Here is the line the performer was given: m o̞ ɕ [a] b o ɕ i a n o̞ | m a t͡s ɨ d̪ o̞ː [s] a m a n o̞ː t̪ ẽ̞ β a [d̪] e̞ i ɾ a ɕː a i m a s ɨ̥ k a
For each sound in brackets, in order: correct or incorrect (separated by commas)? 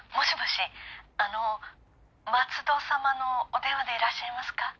incorrect, correct, correct